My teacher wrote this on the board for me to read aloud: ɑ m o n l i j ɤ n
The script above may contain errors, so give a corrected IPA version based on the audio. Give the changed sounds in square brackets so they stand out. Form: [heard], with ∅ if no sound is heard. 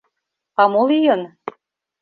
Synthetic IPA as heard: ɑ m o [∅] l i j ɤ n